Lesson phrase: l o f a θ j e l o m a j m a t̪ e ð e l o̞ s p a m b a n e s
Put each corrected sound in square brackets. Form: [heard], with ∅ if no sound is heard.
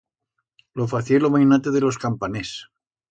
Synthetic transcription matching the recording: l o f a θ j e l o m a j [n] a t̪ e ð e l o̞ s [k] a m [p] a n e s